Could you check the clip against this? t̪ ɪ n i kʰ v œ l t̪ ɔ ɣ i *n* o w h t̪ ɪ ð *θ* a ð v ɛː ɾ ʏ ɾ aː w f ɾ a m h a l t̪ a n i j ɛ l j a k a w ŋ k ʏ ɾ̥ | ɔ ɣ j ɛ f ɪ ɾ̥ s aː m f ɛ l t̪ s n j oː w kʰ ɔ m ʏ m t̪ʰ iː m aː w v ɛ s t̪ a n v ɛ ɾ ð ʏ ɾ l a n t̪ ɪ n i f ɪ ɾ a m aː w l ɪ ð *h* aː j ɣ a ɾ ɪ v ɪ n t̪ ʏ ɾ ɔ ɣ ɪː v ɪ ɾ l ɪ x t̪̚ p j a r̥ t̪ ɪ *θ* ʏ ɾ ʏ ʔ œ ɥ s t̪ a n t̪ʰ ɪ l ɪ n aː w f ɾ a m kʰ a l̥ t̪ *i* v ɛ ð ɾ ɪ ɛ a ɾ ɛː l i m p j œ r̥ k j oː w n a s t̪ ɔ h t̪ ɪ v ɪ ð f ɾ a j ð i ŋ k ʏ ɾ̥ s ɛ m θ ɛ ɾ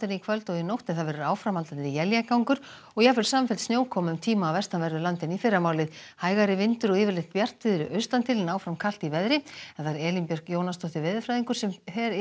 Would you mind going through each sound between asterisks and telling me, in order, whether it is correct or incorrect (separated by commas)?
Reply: correct, correct, correct, incorrect, correct